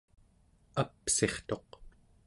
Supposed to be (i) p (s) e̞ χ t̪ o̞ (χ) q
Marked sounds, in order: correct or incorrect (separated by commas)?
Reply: incorrect, correct, incorrect